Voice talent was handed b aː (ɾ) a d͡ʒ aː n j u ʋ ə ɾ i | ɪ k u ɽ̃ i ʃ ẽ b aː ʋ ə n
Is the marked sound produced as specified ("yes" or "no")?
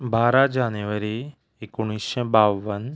yes